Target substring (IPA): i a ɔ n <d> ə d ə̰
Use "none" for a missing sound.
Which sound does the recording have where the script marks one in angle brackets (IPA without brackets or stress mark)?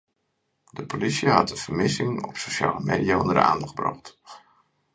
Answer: d